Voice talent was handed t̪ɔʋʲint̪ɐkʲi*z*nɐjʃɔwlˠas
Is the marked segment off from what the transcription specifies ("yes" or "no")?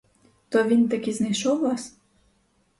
no